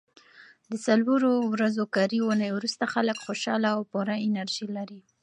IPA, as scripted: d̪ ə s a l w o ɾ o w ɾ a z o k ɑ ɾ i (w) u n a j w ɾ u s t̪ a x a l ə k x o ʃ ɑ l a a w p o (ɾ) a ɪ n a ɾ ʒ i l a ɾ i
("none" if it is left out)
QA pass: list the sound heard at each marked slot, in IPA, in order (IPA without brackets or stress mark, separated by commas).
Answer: w, ɾ